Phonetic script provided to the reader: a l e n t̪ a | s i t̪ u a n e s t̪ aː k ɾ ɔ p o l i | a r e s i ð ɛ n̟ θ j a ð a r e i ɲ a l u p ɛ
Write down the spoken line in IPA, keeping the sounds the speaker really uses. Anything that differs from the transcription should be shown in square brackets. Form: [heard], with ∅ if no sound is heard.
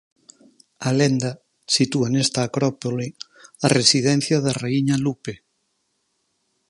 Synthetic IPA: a l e n [d̪] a | s i t̪ u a n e s t̪ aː k ɾ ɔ p o l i | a r e s i ð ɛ n̟ θ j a ð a r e i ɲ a l u p [e]

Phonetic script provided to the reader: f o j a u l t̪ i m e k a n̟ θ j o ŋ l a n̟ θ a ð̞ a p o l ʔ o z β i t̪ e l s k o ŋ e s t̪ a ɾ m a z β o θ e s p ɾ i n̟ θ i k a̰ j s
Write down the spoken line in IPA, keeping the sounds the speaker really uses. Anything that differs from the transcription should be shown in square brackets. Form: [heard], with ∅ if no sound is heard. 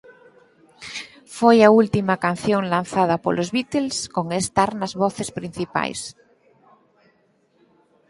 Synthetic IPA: f o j a u l t̪ i m [a] k a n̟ θ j o ŋ l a n̟ θ a ð̞ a p o l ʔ o z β i t̪ e l s k o ŋ e s t̪ a ɾ [n] a z β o θ e s p ɾ i n̟ θ i [p] a̰ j s

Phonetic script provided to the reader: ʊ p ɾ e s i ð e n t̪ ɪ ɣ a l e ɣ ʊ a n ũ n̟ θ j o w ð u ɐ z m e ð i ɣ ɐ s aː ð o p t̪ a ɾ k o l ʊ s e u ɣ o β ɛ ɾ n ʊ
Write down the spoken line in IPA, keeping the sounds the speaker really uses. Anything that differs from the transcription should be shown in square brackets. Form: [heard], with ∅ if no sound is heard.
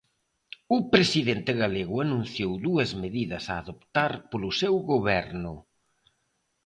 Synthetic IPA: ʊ p ɾ e s i ð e n t̪ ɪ ɣ a l e ɣ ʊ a n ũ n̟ θ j o w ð u ɐ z m e ð i [ð] ɐ s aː ð o p t̪ a ɾ [p] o l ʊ s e [w] ɣ o β ɛ ɾ n ʊ

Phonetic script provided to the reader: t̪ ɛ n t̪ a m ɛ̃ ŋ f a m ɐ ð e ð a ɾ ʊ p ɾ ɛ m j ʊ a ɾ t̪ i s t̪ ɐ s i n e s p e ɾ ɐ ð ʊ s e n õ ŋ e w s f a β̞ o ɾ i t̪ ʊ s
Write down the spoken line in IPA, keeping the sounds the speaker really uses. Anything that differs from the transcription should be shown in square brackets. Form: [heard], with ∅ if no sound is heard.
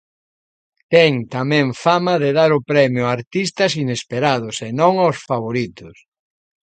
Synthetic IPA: t̪ ɛ [ŋ] t̪ a m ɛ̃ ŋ f a m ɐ ð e ð a ɾ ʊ p ɾ ɛ m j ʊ a ɾ t̪ i s t̪ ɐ s i n e s p e ɾ [a] ð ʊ s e n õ ŋ [a] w s f a β̞ o ɾ i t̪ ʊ s

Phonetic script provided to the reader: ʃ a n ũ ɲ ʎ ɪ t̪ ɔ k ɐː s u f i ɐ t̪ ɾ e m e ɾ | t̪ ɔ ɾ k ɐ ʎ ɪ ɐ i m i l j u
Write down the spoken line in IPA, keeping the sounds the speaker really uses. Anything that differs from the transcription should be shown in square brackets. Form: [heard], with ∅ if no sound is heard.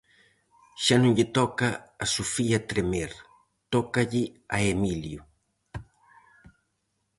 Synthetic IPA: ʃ a n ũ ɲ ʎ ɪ t̪ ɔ k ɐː s u f i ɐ t̪ ɾ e m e ɾ | t̪ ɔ [∅] k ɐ ʎ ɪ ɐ [e] m i l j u

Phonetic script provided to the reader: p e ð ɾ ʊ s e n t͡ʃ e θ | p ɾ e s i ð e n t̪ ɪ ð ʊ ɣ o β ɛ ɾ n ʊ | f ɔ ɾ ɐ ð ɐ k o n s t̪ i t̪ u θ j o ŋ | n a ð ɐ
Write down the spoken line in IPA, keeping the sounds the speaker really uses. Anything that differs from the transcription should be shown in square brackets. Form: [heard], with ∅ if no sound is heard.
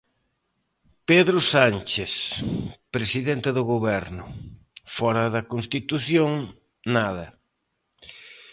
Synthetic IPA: p e ð ɾ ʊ s [a] n t͡ʃ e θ | p ɾ e s i ð e n t̪ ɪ ð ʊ ɣ o β ɛ ɾ n ʊ | f ɔ ɾ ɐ ð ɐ k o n s t̪ i t̪ u θ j o ŋ | n a ð ɐ

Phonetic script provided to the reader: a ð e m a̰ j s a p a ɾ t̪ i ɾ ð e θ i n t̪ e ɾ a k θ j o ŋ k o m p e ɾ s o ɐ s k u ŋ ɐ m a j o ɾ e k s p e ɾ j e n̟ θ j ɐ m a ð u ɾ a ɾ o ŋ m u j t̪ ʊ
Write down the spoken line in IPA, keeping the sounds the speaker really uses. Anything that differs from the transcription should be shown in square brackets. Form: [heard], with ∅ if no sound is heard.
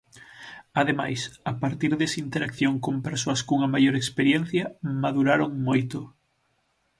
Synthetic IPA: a ð e m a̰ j s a p a ɾ t̪ i ɾ ð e [s] i n t̪ e ɾ a k θ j o ŋ k o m p e ɾ s o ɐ s k u ŋ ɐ m a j o ɾ e k s p e ɾ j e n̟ θ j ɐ m a ð u ɾ a ɾ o ŋ m [o] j t̪ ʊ

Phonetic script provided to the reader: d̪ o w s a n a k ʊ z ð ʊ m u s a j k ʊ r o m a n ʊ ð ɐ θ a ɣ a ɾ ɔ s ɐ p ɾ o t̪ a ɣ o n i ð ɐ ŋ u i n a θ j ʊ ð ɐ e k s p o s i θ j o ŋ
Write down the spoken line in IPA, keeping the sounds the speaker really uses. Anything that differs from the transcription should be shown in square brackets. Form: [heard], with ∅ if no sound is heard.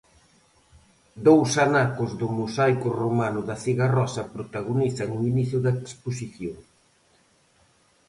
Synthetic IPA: d̪ o w s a n a k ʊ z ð ʊ m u s a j k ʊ r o m a n ʊ ð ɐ θ [i] ɣ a [r] ɔ s ɐ p ɾ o t̪ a ɣ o n i [θ] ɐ ŋ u i n [i] θ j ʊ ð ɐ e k s p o s i θ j o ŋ

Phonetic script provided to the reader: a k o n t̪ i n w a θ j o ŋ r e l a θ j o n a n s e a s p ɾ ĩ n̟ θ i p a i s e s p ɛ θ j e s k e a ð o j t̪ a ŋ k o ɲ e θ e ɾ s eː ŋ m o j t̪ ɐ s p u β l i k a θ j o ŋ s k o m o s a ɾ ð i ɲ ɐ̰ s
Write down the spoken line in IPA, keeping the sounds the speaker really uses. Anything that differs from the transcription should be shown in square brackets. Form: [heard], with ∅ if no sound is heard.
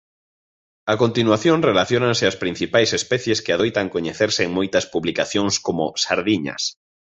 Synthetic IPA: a k o n t̪ i n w a θ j o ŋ r e l a θ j o n a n s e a s p ɾ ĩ n̟ θ i p a [j] s e s p ɛ θ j e s k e a ð o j t̪ a ŋ k o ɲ e θ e ɾ s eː ŋ m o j t̪ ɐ s p u β l i k a θ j o ŋ s k o m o s a ɾ ð i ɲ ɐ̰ s

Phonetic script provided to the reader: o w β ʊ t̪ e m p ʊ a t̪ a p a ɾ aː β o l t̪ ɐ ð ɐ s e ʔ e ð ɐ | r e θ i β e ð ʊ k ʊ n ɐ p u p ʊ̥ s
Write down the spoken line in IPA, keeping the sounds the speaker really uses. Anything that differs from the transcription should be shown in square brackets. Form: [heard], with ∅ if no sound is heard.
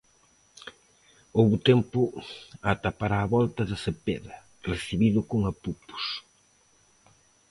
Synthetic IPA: o w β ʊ t̪ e m p ʊ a t̪ a p a ɾ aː β [ɔ] l t̪ ɐ ð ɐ s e [p] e ð ɐ | r e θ i β [i] ð ʊ k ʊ [ŋ] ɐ p u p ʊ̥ s

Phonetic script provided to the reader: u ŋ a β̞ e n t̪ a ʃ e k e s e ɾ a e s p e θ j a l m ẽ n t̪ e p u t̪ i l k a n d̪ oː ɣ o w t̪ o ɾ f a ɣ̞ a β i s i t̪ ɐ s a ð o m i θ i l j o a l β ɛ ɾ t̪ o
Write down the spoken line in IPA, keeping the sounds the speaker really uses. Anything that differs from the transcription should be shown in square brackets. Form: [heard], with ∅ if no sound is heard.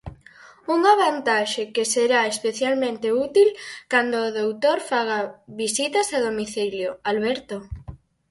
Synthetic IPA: u ŋ a β̞ [a] n t̪ a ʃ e k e s e ɾ a e s p e θ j a l m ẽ n t̪ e [∅] u t̪ i l k a n d̪ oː [ð] o w t̪ o ɾ f a ɣ̞ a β i s i t̪ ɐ s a ð o m i θ i l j o a l β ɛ ɾ t̪ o

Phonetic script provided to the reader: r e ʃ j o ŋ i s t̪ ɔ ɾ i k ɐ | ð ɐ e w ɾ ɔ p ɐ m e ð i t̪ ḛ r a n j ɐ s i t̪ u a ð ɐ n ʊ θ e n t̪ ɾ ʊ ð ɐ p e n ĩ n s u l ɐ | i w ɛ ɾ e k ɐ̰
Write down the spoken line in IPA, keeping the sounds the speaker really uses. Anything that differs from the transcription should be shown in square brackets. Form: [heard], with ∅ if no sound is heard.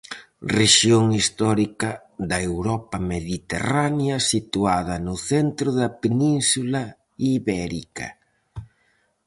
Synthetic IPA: r e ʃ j o ŋ i s t̪ ɔ ɾ i k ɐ | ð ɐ e w ɾ ɔ p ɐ m e ð i t̪ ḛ r a n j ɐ s i t̪ u a ð ɐ n ʊ θ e n t̪ ɾ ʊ ð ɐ p e n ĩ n s u l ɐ | i [β] ɛ ɾ [i] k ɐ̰

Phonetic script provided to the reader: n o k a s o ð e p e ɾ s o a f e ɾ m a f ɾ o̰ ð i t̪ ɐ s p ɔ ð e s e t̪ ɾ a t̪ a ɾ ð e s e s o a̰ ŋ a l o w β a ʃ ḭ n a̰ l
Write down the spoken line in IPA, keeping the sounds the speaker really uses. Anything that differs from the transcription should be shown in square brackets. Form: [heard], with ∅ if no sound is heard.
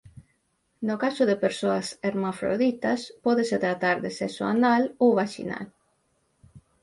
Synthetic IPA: n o k a s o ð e p e ɾ s o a [s] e ɾ m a f ɾ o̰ ð i t̪ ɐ s p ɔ ð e s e t̪ ɾ a t̪ a ɾ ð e s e s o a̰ [n] a l o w β a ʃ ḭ n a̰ l

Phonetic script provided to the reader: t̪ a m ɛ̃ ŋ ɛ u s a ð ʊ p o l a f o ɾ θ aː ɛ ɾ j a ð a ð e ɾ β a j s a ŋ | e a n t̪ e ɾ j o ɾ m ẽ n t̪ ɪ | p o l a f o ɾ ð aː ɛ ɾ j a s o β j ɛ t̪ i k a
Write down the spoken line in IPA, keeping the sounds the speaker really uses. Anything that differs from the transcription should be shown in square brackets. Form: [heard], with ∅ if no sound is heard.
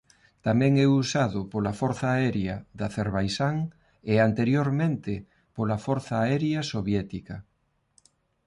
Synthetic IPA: t̪ a m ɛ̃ ŋ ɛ u s a ð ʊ p o l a f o ɾ θ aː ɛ ɾ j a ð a [θ] e ɾ β a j s a ŋ | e a n t̪ e ɾ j o ɾ m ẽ n t̪ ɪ | p o l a f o ɾ [θ] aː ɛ ɾ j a s o β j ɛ t̪ i k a

